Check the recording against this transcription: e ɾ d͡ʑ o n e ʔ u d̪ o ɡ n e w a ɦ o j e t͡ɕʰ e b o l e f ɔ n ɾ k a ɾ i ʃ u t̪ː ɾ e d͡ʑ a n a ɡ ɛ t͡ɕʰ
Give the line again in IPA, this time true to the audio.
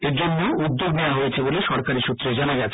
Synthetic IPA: e ɾ d͡ʑ o nː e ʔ u d̪ː o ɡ n e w a ɦ o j e t͡ɕʰ e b o l e ʃ ɔ ɾ k a ɾ i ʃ u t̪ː ɾ e d͡ʑ a n a ɡ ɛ t͡ɕʰ